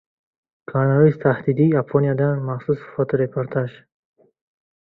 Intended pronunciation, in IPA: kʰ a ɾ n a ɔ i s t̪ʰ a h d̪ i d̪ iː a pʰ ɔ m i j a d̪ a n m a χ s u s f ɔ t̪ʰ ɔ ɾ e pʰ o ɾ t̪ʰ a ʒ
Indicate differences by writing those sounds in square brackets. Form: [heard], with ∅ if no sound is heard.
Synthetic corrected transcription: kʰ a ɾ n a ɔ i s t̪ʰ a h d̪ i d̪ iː a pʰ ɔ [n] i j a d̪ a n m a χ s u s f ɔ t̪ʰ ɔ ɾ e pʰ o ɾ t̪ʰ a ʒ